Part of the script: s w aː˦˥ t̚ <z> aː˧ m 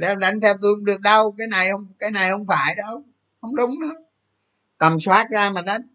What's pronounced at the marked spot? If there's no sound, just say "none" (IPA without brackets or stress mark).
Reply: z